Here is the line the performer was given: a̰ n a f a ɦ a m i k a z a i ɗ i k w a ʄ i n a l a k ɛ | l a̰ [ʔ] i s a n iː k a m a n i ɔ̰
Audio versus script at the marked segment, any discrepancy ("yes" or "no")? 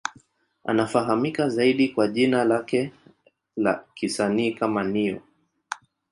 yes